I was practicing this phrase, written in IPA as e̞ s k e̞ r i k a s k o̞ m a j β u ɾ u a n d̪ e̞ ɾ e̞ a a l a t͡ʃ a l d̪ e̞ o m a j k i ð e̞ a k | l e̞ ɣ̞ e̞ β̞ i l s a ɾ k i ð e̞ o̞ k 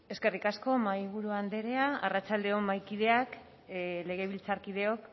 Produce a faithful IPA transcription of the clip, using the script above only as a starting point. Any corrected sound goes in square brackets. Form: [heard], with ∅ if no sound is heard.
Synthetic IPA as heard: e̞ s k e̞ r i k a s k o̞ m a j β u ɾ u a n d̪ e̞ ɾ e̞ a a [r] a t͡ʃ a l d̪ e̞ o m a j k i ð e̞ a k | l e̞ ɣ̞ e̞ β̞ i l [t͡s] a ɾ k i ð e̞ o̞ k